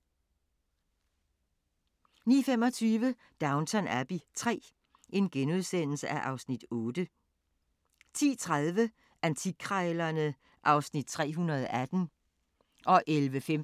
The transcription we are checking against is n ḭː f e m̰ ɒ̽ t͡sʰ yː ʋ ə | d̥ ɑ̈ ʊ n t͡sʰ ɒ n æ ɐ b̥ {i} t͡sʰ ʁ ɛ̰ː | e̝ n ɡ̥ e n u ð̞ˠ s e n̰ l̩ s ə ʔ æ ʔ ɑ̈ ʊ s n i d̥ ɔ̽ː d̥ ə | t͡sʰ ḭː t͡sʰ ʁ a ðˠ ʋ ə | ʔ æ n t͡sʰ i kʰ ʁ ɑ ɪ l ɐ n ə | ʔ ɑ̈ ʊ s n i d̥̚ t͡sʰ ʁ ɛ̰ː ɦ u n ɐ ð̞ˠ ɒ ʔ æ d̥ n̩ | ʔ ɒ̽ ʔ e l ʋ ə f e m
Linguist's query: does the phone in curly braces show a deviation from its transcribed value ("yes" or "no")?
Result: no